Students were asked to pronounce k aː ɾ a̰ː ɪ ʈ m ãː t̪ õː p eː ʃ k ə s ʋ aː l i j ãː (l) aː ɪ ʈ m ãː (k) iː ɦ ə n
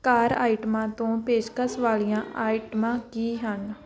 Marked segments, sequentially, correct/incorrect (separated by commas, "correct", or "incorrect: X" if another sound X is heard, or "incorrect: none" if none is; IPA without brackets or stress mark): incorrect: none, correct